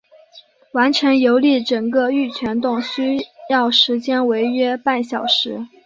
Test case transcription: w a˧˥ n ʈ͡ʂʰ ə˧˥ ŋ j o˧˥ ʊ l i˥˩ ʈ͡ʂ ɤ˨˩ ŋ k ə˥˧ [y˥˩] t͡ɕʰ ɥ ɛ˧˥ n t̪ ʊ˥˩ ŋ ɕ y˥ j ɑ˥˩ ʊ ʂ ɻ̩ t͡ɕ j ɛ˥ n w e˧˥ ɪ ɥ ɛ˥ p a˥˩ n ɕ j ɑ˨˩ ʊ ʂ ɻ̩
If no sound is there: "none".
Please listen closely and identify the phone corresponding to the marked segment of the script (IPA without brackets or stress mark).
y˥˩